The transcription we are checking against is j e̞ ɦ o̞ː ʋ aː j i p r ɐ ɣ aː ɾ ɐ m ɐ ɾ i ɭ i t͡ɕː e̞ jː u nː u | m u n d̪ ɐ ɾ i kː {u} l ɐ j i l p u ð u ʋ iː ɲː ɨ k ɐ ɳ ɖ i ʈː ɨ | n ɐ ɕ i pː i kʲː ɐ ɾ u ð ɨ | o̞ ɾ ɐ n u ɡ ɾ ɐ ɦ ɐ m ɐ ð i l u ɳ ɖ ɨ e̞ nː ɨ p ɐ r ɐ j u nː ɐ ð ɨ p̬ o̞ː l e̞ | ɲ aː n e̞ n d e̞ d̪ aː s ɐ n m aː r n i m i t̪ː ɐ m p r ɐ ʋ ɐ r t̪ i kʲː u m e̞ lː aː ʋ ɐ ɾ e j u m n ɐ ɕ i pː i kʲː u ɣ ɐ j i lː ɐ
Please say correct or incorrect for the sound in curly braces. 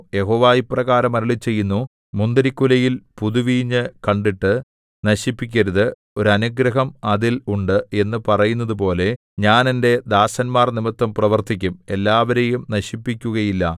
correct